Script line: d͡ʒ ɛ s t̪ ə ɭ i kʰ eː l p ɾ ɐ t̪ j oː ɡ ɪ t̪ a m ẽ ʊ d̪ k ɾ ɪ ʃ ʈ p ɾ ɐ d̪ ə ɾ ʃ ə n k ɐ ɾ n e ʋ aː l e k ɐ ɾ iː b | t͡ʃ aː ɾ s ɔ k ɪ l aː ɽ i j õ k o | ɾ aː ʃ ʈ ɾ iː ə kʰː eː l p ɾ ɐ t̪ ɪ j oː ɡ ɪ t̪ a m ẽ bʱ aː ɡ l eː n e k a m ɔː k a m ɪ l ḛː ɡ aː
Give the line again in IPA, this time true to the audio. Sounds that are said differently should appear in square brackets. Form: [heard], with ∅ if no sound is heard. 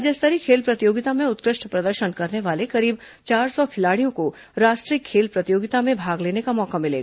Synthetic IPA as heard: d͡ʒ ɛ s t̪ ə [ɾ] i kʰ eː l p ɾ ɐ t̪ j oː ɡ ɪ t̪ a m ẽ ʊ [t̪] k ɾ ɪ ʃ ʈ p ɾ ɐ d̪ ə ɾ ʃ ə n k ɐ ɾ n e ʋ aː l e k ɐ ɾ iː b | t͡ʃ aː ɾ s ɔ [kʰ] ɪ l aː ɽ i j õ k o | ɾ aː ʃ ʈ ɾ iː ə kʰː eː l p ɾ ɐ t̪ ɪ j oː ɡ ɪ t̪ a m ẽ bʱ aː ɡ l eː n e k a m ɔː k a m ɪ l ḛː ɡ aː